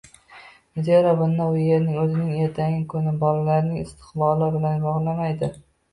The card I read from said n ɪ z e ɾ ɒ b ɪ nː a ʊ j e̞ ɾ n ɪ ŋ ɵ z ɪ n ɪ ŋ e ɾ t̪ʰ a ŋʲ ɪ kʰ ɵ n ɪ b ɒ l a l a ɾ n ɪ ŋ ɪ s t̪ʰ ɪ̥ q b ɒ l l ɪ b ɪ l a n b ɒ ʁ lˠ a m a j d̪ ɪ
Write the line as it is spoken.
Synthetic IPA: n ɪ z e ɾ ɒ b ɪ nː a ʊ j e̞ ɾ n ɪ ŋ ɵ z ɪ n ɪ ŋ e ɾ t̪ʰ a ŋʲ ɪ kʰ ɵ n ɪ b ɒ l a l a ɾ n ɪ ŋ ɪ s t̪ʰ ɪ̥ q b ɒ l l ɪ b ɪ l a n b ɒ ʁ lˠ a m a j d̪ ɪ